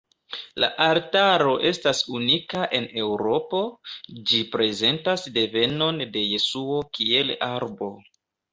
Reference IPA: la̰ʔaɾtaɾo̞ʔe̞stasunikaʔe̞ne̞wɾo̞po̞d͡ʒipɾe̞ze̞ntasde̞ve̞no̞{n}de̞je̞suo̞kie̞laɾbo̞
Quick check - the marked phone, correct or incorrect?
correct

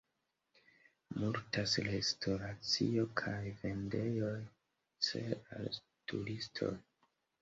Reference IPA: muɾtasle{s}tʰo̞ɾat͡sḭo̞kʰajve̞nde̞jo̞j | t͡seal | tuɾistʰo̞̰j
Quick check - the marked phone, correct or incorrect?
correct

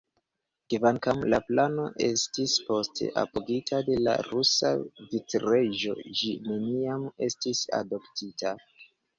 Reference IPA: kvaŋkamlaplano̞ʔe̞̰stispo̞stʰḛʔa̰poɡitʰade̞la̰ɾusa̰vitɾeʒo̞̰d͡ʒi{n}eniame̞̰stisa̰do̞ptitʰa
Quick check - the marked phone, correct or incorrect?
correct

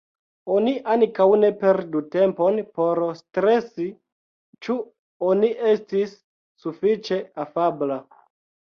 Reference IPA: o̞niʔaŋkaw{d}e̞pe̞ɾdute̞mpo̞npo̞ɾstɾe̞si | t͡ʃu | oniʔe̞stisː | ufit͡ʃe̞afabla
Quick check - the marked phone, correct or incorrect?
incorrect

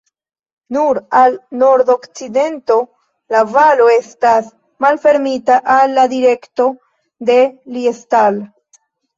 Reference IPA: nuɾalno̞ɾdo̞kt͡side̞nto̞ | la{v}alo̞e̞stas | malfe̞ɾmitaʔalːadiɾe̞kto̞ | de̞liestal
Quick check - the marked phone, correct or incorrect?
correct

